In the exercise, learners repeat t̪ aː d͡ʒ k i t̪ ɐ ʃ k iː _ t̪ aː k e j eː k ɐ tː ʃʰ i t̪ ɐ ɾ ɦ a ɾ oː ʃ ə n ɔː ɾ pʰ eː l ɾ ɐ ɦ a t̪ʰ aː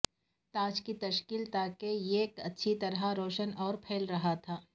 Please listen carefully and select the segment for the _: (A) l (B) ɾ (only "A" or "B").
A